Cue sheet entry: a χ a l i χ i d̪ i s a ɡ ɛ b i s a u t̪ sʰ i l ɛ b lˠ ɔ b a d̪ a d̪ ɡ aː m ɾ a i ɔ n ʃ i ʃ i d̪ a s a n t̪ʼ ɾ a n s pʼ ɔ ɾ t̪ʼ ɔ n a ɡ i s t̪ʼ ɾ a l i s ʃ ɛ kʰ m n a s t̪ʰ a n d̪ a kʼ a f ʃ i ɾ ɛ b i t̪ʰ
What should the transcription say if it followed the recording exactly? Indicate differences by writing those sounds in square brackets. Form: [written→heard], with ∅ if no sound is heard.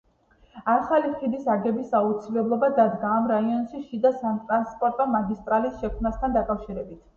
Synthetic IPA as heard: a χ a l i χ i d̪ i s a ɡ ɛ b i s a u t̪ sʰ i l ɛ b lˠ ɔ b a d̪ a d̪ ɡ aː m ɾ a i ɔ n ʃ i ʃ i d̪ a s a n t̪ʼ ɾ a n s pʼ ɔ ɾ t̪ʼ ɔ [n→m] a ɡ i s t̪ʼ ɾ a l i s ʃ ɛ kʰ m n a s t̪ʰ a n d̪ a kʼ a f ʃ i ɾ ɛ b i t̪ʰ

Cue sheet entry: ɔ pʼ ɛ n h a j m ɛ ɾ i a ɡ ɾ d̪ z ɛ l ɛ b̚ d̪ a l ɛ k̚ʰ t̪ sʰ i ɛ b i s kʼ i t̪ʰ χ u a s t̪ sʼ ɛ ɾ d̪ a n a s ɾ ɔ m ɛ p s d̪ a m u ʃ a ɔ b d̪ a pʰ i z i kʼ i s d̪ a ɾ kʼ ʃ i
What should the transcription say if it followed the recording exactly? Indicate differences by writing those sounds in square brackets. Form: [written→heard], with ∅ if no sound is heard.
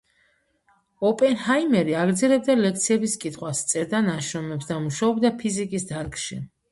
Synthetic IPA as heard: ɔ pʼ ɛ n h a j m ɛ ɾ i a ɡ ɾ d̪ z ɛ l ɛ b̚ d̪ a l ɛ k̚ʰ t̪ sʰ i ɛ b i s kʼ i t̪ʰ χ [u→w] a s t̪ sʼ ɛ ɾ d̪ a n a [s→ʃ] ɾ ɔ m ɛ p s d̪ a m u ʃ a ɔ b d̪ a pʰ i z i kʼ i s d̪ a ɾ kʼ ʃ i

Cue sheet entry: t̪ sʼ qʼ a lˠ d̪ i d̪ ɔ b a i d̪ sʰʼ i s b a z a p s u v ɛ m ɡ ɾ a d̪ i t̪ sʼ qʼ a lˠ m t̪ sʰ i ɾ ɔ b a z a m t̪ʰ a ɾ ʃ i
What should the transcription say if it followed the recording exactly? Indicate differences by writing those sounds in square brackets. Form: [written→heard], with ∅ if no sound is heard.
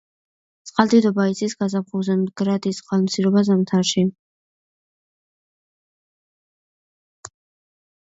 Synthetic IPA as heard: t̪ sʼ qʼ a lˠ d̪ i d̪ ɔ b a i [d̪→t̪] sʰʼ i s [b→ɡ] a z a p [s→χ] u [v→z] ɛ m ɡ ɾ a d̪ i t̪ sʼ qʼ a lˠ m t̪ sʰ i ɾ ɔ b a z a m t̪ʰ a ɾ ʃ i

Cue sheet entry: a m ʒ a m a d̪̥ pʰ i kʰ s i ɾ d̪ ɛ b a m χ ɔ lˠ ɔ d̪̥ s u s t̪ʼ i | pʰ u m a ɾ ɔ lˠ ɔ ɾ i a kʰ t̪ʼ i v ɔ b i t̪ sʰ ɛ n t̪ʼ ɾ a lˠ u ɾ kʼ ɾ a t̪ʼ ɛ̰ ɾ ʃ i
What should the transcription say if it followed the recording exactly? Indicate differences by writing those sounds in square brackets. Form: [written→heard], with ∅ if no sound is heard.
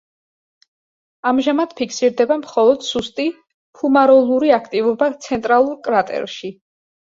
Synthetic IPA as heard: a m ʒ a m a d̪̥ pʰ i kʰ s i ɾ d̪ ɛ b a m χ ɔ lˠ ɔ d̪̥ s u s t̪ʼ i | pʰ u m a ɾ ɔ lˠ [ɔ→u] ɾ i a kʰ t̪ʼ i v ɔ b [i→a] t̪ sʰ ɛ n t̪ʼ ɾ a lˠ u ɾ kʼ ɾ a t̪ʼ ɛ̰ ɾ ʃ i

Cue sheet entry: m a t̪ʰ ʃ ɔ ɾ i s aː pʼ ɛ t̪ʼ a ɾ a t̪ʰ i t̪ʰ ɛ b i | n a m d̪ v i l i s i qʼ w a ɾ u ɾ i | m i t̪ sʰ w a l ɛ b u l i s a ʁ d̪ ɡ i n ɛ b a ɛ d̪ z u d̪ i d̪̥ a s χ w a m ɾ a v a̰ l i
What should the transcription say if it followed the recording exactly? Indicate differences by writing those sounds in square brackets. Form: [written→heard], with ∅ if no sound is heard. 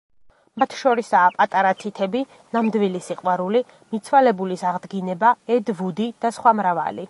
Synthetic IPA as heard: m a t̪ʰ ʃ ɔ ɾ i s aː pʼ [ɛ→a] t̪ʼ a ɾ a t̪ʰ i t̪ʰ ɛ b i | n a m d̪ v i l i s i qʼ w a ɾ u [ɾ→l] i | m i t̪ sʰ w a l ɛ b u l i s a ʁ d̪ ɡ i n ɛ b a ɛ d̪ [z→v] u d̪ i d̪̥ a s χ w a m ɾ a v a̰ l i

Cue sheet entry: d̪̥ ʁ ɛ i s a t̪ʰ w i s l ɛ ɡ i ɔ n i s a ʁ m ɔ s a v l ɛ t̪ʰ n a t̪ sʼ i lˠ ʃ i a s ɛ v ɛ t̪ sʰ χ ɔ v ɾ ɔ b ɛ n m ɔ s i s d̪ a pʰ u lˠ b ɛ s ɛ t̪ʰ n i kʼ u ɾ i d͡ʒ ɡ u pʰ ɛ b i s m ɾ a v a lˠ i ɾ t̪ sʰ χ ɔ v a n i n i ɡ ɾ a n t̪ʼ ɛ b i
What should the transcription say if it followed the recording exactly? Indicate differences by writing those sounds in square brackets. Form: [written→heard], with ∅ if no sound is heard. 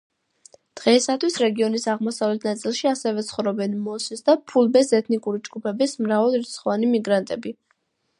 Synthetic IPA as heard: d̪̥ ʁ ɛ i s a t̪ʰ w i s [l→ɾ] ɛ ɡ i ɔ n i s a ʁ m ɔ s a v l ɛ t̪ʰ n a t̪ sʼ i lˠ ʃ i a s ɛ v ɛ t̪ sʰ χ ɔ v ɾ ɔ b ɛ n m ɔ s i s d̪ a pʰ u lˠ b ɛ s ɛ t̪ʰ n i kʼ u ɾ i d͡ʒ ɡ u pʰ ɛ b i s m ɾ a v a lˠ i ɾ t̪ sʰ χ ɔ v a n i [n→m] i ɡ ɾ a n t̪ʼ ɛ b i

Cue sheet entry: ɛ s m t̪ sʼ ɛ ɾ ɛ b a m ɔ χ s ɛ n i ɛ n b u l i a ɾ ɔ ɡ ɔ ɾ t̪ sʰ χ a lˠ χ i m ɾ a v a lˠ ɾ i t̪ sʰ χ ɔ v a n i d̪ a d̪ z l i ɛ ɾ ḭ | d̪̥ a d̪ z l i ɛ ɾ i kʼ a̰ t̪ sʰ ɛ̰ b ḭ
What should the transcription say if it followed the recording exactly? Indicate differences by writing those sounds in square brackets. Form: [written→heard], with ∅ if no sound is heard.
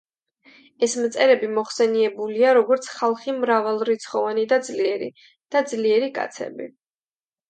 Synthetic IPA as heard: ɛ s m t̪ sʼ ɛ ɾ ɛ b [a→i] m ɔ χ s ɛ n i ɛ [n→∅] b u l i a ɾ ɔ ɡ ɔ ɾ t̪ sʰ χ a lˠ χ i m ɾ a v a lˠ ɾ i t̪ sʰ χ ɔ v a n i d̪ a d̪ z l i ɛ ɾ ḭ | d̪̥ a d̪ z l i ɛ ɾ i kʼ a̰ t̪ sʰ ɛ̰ b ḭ

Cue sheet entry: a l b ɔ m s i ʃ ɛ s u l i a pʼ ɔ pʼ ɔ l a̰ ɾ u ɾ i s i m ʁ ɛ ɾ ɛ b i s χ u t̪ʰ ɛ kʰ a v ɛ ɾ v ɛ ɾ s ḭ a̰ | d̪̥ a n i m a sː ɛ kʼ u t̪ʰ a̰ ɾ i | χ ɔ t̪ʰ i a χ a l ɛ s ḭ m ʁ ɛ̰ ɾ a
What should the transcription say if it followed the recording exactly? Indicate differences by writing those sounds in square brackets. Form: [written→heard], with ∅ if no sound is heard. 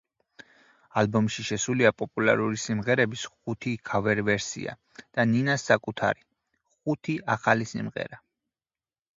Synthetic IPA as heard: a l b ɔ m [s→ʃ] i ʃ ɛ s u l i a pʼ ɔ pʼ [ɔ→u] l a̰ ɾ u ɾ i s i m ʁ ɛ ɾ ɛ b i s χ u t̪ʰ [ɛ→i] kʰ a v ɛ ɾ v ɛ ɾ s ḭ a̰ | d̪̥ a n i [m→n] a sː [ɛ→a] kʼ u t̪ʰ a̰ ɾ i | χ [ɔ→u] t̪ʰ i a χ a l [ɛ→i] s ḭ m ʁ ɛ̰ ɾ a

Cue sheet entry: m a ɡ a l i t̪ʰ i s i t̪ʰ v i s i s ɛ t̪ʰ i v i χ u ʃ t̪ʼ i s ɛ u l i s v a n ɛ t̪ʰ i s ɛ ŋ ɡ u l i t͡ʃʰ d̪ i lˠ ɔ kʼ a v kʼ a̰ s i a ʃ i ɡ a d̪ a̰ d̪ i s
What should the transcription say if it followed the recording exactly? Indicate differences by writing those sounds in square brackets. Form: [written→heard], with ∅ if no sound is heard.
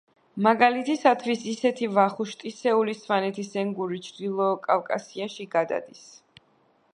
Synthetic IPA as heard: m a ɡ a l i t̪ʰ i s [i→a] t̪ʰ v i s i s ɛ t̪ʰ i v [i→a] χ u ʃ t̪ʼ i s ɛ u l i s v a n ɛ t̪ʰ i s ɛ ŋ ɡ u [l→ɾ] i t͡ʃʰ d̪ i lˠ ɔ kʼ a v kʼ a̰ s i a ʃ i ɡ a d̪ a̰ d̪ i s

